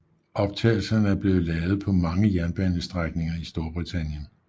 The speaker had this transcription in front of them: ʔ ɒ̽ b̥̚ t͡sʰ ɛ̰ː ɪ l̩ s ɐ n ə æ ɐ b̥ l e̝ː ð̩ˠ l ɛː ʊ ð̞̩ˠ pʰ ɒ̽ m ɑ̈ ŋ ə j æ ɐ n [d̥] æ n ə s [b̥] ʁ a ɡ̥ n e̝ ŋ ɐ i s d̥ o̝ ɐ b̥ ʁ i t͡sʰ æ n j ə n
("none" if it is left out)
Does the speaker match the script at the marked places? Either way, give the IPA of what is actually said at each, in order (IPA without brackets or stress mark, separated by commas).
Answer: b̥, d̥